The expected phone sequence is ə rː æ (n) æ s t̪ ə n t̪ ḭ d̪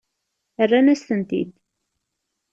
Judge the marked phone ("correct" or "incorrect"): correct